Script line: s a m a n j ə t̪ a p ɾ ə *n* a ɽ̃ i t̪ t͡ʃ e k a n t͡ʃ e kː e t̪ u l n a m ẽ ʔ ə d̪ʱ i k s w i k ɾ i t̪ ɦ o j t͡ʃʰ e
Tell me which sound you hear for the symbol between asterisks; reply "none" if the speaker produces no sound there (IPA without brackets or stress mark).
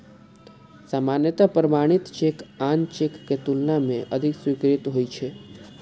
m